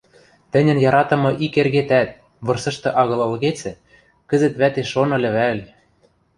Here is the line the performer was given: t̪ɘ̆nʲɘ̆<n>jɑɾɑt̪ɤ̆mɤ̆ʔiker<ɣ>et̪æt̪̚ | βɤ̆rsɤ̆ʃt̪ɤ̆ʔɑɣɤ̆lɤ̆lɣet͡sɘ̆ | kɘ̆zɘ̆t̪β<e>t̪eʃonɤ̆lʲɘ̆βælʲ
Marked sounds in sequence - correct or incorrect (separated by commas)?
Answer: correct, correct, incorrect